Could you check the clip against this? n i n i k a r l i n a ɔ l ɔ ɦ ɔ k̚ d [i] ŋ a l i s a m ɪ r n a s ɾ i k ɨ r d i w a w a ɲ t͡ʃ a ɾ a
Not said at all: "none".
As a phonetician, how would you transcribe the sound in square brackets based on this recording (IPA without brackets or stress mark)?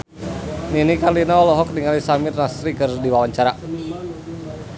i